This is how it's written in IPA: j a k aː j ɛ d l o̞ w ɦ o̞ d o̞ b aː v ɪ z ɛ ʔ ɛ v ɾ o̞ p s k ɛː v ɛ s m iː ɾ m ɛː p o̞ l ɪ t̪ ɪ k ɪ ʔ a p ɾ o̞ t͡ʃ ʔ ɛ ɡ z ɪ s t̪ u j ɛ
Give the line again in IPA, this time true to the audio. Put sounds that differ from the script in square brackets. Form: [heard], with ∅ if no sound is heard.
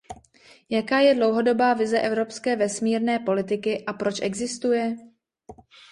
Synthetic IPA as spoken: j a k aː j ɛ d l o̞ w ɦ o̞ d o̞ b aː v ɪ z ɛ ʔ ɛ v ɾ o̞ p s k ɛː v ɛ s m iː ɾ [n] ɛː p o̞ l ɪ t̪ ɪ k ɪ ʔ a p ɾ o̞ t͡ʃ ʔ ɛ ɡ z ɪ s t̪ u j ɛ